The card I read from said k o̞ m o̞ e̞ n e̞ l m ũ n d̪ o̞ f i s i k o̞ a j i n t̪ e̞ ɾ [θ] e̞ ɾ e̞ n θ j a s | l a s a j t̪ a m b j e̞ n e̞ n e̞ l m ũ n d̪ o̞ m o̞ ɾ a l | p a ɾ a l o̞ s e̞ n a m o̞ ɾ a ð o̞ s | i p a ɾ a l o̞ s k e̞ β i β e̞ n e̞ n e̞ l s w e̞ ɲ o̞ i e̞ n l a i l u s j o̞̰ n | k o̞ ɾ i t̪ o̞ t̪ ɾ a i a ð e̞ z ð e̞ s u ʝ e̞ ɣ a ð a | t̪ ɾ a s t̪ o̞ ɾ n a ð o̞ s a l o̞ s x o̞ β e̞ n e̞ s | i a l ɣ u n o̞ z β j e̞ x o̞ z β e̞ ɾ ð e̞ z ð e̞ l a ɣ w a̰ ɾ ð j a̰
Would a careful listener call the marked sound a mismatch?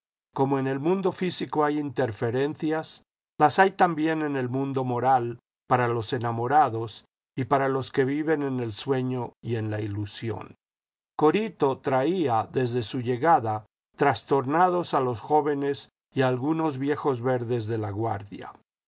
yes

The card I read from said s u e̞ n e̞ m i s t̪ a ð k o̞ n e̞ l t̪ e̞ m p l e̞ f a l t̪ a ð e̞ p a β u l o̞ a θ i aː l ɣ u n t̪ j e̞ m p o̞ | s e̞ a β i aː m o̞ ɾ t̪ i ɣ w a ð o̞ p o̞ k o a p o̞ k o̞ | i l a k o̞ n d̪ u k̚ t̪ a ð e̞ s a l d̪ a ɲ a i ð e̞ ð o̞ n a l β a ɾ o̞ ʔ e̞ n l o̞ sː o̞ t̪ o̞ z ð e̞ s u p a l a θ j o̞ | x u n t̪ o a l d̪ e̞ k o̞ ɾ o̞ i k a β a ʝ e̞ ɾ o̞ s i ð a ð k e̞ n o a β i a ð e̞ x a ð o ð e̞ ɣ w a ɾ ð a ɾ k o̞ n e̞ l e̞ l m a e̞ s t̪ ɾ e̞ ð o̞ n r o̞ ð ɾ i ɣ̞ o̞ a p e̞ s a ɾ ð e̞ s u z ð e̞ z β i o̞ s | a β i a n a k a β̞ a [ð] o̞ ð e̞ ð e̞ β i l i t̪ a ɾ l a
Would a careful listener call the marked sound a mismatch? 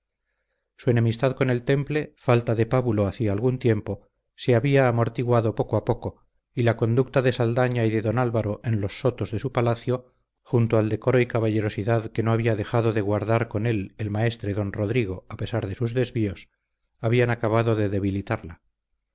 no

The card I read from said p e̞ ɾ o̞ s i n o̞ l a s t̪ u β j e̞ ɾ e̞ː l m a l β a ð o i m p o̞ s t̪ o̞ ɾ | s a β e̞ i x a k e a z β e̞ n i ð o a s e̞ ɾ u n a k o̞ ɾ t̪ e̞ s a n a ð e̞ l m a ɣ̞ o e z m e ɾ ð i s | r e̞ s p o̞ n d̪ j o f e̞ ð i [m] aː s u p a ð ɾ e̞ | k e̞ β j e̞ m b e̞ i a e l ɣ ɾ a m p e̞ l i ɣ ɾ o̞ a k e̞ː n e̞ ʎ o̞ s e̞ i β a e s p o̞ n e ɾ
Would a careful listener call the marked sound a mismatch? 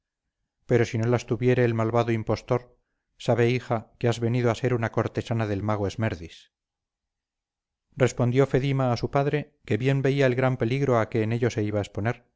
no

